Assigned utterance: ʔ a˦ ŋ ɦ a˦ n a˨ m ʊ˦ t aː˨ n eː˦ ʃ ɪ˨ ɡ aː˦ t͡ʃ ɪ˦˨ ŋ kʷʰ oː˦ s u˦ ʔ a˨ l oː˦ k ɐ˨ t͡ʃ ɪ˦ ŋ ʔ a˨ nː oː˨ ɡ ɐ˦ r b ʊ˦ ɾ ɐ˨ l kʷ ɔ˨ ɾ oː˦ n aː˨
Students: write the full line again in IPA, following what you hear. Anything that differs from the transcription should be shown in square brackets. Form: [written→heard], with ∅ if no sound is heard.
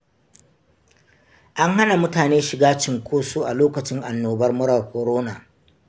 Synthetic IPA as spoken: ʔ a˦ ŋ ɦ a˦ n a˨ m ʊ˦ t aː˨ n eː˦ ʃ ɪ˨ ɡ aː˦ t͡ʃ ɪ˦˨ ŋ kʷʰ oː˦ s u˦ ʔ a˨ l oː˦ k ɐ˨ t͡ʃ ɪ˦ ŋ ʔ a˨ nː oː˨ [ɡ→b] ɐ˦ r [b→m] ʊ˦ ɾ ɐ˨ [l→r] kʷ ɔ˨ ɾ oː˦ n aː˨

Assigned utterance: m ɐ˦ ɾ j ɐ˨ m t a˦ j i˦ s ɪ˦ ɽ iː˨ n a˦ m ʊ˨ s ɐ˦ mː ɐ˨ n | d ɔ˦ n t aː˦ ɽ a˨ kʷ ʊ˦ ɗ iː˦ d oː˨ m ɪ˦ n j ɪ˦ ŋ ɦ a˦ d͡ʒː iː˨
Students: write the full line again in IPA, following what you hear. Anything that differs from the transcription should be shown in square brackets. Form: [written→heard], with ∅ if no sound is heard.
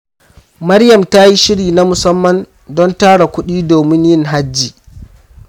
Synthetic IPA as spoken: m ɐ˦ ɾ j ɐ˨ m t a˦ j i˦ [s→ʃ] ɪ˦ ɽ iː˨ n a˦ m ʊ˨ s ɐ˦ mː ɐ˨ n | d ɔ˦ n t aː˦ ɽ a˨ kʷ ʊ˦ ɗ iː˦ d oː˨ m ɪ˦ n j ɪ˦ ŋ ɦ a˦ d͡ʒː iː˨

